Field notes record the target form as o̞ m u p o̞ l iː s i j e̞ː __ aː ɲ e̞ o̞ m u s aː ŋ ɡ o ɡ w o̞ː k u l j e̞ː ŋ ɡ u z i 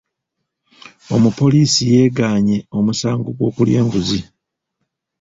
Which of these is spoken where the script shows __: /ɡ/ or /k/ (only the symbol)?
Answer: ɡ